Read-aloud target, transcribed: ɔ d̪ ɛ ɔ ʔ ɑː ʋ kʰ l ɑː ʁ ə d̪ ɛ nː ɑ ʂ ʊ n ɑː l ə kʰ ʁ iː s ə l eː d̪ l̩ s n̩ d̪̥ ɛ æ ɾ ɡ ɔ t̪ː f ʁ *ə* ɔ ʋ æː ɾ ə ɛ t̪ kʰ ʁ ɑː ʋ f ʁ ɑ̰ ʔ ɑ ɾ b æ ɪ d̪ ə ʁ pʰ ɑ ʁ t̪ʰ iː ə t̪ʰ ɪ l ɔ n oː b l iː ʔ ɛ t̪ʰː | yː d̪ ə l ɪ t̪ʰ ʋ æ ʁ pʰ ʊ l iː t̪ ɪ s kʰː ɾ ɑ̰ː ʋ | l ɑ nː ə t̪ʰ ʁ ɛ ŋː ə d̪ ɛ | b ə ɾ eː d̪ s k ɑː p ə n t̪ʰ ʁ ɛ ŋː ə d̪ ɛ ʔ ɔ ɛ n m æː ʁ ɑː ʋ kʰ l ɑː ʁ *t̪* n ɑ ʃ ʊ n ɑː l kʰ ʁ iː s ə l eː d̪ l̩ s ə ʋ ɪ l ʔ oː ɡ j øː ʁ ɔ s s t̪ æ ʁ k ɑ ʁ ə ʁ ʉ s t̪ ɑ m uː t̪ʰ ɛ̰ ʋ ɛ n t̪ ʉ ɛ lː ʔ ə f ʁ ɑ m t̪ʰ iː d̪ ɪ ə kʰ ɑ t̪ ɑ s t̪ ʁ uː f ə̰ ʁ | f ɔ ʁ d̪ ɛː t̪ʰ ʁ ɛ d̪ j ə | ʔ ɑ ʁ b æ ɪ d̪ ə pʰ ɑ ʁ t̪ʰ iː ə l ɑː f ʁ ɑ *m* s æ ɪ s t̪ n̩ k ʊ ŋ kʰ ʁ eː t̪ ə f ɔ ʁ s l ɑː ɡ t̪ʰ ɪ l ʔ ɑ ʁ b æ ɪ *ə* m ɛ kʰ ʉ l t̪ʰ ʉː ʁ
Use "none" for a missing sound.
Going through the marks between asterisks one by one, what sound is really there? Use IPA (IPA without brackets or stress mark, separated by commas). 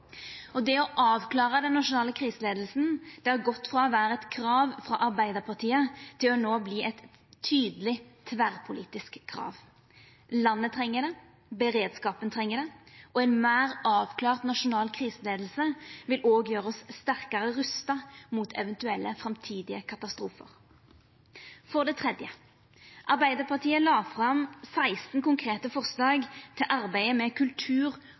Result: ɑ, t̪, m, ə